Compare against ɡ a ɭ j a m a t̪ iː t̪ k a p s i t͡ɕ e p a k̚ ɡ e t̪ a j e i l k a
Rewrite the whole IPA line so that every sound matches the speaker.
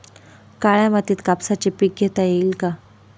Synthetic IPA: k a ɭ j a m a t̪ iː t̪ k a p s a t͡ɕ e p i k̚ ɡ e t̪ a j e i l k a